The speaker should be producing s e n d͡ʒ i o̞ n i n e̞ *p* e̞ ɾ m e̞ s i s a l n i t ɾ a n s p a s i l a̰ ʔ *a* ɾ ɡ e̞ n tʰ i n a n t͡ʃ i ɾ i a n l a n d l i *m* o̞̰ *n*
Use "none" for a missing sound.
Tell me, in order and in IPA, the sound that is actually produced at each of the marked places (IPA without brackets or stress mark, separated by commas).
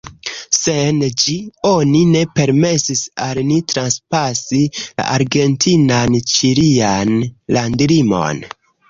p, a, m, n